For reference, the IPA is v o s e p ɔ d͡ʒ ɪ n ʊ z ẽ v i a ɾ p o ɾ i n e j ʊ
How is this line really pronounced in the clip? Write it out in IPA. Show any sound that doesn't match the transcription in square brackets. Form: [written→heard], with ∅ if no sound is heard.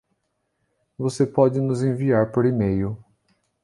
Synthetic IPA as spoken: v o s e p ɔ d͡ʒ ɪ n ʊ z ẽ v i a ɾ p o ɾ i [n→m] e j ʊ

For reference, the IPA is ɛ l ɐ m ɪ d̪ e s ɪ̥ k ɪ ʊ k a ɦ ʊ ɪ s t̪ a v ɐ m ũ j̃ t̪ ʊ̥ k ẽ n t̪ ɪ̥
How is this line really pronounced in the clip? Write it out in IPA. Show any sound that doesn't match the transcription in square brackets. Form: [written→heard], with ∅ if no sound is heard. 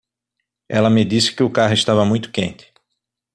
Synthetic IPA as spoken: ɛ l ɐ m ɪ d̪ [e→i] s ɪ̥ k ɪ ʊ k a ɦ ʊ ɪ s t̪ a v ɐ m ũ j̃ t̪ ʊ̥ k ẽ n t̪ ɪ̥

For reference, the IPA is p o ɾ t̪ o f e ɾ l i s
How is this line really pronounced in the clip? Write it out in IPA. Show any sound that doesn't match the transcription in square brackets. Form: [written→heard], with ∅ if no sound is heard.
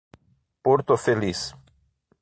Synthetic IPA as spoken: p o ɾ t̪ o f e [ɾ→∅] l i s

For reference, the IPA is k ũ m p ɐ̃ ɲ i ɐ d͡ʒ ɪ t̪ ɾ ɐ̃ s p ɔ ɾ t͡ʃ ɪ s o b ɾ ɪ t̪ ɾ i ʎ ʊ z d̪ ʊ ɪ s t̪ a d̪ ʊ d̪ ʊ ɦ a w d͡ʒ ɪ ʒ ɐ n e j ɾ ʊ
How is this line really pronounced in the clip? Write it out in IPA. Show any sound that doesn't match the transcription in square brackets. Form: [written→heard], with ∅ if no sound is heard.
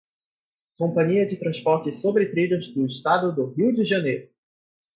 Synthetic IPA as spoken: k [ũ→õ] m p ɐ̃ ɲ i ɐ d͡ʒ ɪ t̪ ɾ ɐ̃ s p ɔ ɾ t͡ʃ ɪ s o b ɾ ɪ t̪ ɾ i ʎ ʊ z d̪ ʊ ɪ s t̪ a d̪ ʊ d̪ ʊ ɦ [a→i] w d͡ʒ ɪ ʒ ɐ n e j ɾ ʊ

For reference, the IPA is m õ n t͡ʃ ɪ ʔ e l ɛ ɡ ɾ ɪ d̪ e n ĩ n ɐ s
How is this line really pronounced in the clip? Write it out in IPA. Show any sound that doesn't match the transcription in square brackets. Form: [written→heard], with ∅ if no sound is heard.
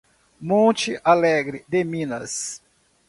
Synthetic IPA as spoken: m õ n t͡ʃ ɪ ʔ [e→a] l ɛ ɡ ɾ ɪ d̪ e [n→m] ĩ n ɐ s

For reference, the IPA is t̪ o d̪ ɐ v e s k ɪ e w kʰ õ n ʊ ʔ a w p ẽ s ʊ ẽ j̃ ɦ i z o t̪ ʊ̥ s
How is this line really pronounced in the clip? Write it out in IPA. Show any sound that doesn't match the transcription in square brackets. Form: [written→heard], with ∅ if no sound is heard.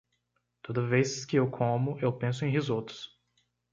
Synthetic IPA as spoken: t̪ o d̪ ɐ v e s k ɪ e w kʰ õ [n→m] ʊ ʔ [a→e] w p ẽ s ʊ ẽ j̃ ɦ i z o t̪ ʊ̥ s

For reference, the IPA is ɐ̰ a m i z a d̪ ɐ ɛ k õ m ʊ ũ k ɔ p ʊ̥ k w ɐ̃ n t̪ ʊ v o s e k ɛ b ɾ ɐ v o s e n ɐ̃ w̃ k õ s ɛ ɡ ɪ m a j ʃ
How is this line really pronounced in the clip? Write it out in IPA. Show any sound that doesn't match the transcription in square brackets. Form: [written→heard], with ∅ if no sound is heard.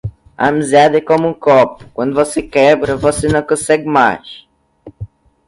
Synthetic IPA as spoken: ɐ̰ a m i z a d̪ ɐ ɛ k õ m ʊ ũ k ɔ p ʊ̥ k w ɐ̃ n [t̪→d̪] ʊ v o s e k ɛ b ɾ ɐ v o s e n ɐ̃ w̃ k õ s ɛ ɡ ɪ m a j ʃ

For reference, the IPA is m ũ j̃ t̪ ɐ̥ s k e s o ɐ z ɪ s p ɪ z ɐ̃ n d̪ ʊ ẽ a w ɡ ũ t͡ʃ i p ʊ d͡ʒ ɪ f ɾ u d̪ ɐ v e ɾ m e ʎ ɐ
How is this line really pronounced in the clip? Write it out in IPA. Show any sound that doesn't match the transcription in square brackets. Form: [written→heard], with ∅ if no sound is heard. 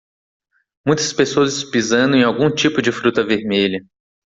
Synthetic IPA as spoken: m ũ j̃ t̪ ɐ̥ s [k→p] e s o ɐ z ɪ s p [ɪ→i] z ɐ̃ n d̪ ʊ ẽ a w ɡ ũ t͡ʃ i p ʊ d͡ʒ ɪ f ɾ u [d̪→t̪] ɐ v e ɾ m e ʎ ɐ

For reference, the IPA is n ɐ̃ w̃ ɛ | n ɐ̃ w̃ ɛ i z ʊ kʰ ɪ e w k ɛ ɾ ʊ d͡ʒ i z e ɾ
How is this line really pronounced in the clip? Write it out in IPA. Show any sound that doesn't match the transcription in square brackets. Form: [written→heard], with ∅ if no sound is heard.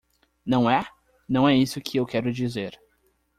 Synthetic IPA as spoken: n ɐ̃ w̃ ɛ | n ɐ̃ w̃ ɛ i [z→s] ʊ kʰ ɪ e w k ɛ ɾ ʊ d͡ʒ i z e ɾ

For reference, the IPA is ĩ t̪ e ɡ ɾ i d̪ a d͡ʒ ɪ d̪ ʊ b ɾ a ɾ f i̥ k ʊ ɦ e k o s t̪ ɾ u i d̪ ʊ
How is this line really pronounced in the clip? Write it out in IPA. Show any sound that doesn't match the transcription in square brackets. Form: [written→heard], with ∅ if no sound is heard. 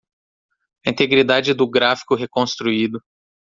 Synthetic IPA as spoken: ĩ t̪ e ɡ ɾ i d̪ a d͡ʒ ɪ d̪ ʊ [b→ɡ] ɾ a [ɾ→∅] f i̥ k ʊ ɦ e k [o→õ] s t̪ ɾ u i d̪ ʊ

